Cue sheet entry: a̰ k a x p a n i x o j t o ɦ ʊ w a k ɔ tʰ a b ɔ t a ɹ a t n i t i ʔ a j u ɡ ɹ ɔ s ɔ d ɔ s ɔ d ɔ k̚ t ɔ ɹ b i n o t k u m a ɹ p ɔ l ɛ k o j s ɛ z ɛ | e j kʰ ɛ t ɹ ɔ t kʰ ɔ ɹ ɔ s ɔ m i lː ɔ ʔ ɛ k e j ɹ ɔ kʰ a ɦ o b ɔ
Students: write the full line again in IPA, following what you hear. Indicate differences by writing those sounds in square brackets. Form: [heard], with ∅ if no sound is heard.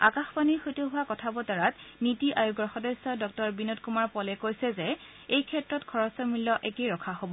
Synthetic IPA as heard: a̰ k a x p a n i x o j t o ɦ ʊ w a k ɔ tʰ a b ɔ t a ɹ a t n i t i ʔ a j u ɡ ɹ ɔ [x] ɔ d ɔ s ɔ d ɔ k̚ t ɔ ɹ b i n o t k u m a ɹ p ɔ l ɛ k o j s ɛ z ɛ | e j kʰ ɛ t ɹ ɔ t kʰ ɔ ɹ ɔ s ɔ m i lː ɔ ʔ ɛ k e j ɹ ɔ kʰ a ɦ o b ɔ